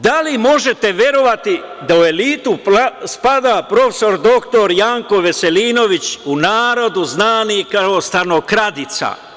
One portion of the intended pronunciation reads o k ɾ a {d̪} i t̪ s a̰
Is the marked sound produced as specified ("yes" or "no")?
yes